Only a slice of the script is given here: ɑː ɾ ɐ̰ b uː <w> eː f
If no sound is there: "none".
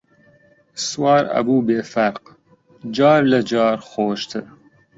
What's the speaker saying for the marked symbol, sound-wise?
b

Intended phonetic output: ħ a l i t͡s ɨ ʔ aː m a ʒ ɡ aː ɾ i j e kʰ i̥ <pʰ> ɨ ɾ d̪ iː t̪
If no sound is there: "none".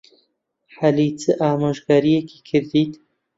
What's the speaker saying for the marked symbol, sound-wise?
kʰ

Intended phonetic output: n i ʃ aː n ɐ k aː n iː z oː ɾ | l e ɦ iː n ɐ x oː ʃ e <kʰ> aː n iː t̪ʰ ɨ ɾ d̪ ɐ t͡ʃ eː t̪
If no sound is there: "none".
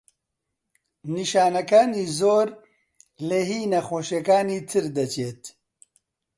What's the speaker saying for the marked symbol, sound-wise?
k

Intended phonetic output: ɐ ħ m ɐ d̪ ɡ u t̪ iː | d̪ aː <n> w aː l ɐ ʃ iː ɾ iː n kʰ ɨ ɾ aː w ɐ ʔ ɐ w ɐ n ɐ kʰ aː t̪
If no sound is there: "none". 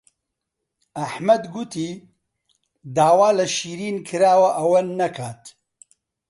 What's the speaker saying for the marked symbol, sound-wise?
none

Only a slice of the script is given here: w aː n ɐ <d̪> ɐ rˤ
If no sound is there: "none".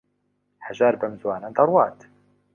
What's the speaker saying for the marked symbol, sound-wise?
d̪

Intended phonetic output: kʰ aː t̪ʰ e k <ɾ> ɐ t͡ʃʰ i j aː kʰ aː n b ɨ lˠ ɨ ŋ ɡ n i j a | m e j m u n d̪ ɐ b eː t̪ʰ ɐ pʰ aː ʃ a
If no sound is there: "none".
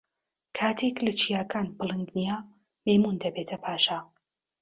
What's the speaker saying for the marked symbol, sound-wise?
l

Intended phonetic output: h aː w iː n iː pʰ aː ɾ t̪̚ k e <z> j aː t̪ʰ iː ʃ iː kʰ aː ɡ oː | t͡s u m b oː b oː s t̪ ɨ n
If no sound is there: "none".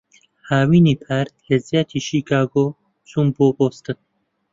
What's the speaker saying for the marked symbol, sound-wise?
z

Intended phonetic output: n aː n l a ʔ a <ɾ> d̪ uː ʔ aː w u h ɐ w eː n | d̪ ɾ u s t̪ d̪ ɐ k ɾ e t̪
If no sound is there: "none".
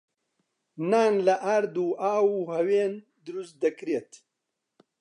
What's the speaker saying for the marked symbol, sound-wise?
ɾ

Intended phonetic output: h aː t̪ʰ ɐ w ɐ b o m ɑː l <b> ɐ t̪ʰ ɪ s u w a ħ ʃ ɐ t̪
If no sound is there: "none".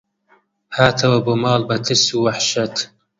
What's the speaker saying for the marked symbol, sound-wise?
b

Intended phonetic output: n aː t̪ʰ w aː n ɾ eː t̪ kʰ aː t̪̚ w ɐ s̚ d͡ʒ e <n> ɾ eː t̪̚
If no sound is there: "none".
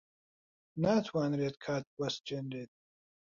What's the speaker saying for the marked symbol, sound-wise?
n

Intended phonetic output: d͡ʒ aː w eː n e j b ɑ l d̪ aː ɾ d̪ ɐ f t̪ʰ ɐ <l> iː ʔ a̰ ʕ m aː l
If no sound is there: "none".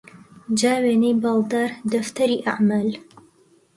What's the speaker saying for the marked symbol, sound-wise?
ɾ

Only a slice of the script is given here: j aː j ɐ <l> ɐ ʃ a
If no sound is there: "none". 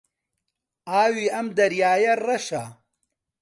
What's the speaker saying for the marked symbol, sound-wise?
r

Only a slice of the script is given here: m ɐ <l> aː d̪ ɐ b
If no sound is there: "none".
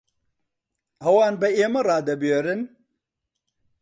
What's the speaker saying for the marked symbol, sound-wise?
ɾ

